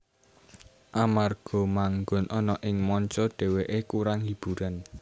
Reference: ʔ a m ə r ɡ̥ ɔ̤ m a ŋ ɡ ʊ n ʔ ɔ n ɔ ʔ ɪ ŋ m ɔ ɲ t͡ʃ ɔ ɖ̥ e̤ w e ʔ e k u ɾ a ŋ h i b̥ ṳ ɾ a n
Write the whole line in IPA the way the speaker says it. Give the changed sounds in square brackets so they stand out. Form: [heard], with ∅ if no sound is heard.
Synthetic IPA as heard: ʔ a m [a] r ɡ̥ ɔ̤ m a ŋ ɡ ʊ n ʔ ɔ n ɔ ʔ ɪ ŋ m ɔ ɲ t͡ʃ ɔ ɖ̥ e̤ w e ʔ e k u ɾ a ŋ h i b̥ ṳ ɾ a n